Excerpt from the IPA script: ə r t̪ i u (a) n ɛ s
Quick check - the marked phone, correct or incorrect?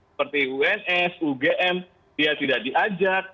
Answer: incorrect